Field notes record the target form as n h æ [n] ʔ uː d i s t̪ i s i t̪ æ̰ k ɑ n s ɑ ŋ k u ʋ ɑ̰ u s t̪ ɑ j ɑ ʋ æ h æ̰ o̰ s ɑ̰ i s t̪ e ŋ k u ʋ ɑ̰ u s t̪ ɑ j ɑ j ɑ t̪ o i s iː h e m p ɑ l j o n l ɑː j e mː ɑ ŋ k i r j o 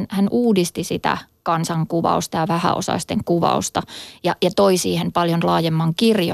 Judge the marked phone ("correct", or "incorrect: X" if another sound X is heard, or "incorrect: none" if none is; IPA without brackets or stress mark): correct